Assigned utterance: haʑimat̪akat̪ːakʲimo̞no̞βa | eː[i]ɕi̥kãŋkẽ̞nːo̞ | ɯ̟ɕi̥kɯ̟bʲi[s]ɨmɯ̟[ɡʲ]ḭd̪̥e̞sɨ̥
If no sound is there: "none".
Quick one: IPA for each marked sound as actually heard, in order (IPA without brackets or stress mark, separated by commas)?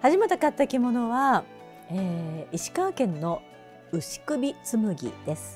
i, t͡s, ɡʲ